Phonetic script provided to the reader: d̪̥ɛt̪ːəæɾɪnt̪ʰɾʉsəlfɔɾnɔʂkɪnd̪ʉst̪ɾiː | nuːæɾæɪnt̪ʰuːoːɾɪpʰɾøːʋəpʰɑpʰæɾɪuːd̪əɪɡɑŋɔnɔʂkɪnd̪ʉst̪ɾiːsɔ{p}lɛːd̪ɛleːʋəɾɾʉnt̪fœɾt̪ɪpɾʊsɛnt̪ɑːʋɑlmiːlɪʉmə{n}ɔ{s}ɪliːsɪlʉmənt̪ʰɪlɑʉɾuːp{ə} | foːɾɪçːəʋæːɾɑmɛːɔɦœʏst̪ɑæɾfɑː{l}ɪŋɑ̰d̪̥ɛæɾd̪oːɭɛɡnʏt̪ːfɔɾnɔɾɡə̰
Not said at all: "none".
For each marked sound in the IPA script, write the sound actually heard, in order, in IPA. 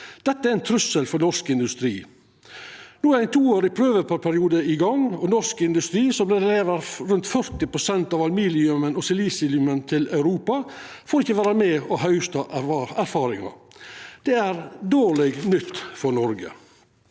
b, n, s, ɑ, ɾ

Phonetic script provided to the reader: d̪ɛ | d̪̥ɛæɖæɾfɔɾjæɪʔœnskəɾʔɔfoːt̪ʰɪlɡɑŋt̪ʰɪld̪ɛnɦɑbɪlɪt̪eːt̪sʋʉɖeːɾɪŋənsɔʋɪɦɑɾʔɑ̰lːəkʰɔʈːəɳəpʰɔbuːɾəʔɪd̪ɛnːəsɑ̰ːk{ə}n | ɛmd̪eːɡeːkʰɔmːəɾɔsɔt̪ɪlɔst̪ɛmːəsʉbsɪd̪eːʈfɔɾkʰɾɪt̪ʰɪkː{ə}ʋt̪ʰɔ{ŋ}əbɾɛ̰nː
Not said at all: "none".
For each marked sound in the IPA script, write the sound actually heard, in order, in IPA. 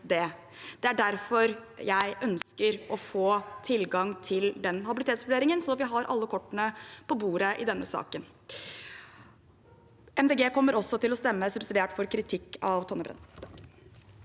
ə, ɑ, n

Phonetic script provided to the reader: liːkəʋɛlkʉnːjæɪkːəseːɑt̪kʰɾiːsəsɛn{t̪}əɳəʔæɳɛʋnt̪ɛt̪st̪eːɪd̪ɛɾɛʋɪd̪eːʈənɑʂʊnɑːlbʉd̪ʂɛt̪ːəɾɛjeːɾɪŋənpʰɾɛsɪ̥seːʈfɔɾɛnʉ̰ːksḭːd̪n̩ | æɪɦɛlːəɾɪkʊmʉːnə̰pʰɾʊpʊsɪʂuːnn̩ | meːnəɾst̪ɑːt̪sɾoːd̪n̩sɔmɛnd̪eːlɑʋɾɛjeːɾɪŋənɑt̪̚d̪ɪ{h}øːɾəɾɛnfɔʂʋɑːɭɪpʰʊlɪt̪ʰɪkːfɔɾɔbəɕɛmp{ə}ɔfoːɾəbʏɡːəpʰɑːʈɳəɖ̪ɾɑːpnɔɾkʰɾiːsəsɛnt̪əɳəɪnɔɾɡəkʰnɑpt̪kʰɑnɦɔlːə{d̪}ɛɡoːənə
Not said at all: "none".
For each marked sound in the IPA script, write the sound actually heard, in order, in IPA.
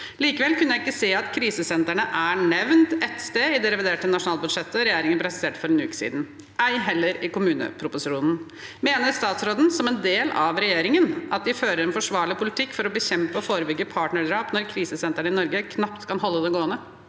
t̪, f, ə, d̪

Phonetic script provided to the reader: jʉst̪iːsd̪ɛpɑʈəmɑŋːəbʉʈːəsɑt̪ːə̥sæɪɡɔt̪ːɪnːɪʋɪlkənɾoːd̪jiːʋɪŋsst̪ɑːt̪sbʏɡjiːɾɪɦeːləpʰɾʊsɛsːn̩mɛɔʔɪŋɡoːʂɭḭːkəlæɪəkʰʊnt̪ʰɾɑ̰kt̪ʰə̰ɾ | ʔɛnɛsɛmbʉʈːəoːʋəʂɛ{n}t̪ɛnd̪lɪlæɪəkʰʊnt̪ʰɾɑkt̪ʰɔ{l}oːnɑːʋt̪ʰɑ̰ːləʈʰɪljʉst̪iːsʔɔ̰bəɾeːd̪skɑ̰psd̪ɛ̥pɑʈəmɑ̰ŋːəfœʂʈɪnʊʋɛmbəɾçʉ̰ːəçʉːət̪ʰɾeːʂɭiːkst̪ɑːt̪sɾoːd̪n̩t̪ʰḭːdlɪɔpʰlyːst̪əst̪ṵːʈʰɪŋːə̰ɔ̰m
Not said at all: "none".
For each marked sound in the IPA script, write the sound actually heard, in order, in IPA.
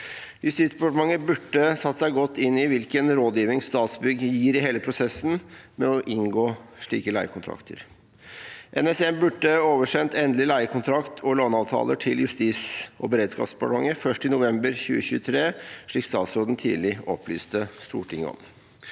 n, l

